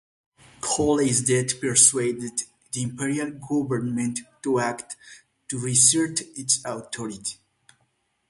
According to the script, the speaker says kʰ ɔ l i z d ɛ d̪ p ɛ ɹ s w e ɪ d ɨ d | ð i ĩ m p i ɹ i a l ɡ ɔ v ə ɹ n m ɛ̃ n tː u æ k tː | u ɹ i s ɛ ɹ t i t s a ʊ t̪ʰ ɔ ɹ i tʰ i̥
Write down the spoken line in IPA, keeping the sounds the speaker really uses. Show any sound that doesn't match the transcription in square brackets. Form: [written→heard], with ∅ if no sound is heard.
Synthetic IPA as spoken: kʰ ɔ l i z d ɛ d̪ p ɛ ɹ s w e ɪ d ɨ d | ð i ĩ m p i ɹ i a l ɡ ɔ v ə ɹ n m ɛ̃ n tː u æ k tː | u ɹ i s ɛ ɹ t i t s a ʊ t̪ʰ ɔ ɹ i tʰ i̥